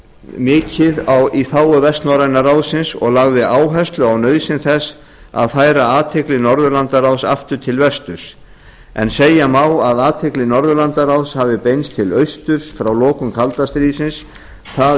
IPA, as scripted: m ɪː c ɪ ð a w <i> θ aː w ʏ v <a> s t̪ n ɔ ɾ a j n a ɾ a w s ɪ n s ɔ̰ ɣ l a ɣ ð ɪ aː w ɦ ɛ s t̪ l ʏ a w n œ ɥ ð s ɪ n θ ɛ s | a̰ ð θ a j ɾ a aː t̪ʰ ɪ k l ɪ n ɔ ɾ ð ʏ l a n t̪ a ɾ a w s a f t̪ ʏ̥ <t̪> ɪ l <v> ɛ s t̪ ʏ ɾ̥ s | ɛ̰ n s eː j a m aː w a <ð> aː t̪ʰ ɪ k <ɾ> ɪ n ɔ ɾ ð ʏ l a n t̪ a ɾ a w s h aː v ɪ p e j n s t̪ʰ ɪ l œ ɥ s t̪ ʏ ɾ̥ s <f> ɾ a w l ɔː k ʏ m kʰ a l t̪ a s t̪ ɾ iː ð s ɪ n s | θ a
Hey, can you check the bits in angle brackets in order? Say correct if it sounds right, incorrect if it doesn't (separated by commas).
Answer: correct, incorrect, incorrect, correct, correct, incorrect, correct